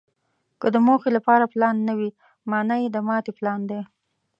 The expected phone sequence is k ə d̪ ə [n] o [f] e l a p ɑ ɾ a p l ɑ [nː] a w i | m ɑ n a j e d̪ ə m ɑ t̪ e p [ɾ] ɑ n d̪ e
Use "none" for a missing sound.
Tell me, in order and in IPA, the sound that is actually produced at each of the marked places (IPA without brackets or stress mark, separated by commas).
m, x, nː, l